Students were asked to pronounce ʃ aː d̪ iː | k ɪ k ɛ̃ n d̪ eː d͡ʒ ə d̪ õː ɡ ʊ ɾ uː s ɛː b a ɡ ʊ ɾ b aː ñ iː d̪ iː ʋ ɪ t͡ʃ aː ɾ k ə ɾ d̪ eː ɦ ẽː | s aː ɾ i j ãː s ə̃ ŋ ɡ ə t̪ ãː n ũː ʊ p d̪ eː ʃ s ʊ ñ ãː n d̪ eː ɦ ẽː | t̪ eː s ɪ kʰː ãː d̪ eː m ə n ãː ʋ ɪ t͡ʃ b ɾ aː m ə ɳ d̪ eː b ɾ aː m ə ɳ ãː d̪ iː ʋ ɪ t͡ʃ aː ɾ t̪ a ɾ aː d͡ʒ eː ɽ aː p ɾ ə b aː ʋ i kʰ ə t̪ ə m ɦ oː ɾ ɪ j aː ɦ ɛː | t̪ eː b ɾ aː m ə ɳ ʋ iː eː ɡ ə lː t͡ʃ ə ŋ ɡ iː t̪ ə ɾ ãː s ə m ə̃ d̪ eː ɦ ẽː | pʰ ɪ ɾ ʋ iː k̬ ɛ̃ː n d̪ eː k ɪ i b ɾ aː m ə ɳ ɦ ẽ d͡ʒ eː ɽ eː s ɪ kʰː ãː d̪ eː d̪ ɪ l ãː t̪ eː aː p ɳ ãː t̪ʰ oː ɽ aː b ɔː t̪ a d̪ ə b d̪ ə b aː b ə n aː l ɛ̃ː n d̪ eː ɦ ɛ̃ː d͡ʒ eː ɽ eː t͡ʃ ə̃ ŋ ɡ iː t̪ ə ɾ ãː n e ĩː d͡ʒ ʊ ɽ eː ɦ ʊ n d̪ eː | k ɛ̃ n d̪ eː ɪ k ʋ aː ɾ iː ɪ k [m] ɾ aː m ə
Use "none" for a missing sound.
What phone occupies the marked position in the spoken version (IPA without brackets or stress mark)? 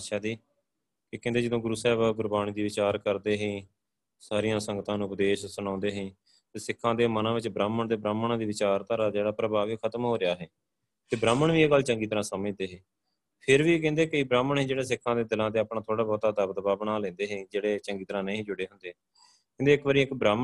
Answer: b